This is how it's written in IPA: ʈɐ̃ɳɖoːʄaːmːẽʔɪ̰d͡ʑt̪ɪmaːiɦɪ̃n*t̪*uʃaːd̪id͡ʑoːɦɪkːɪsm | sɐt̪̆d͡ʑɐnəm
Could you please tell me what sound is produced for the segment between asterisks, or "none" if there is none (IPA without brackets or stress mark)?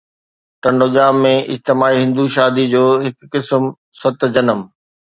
d̪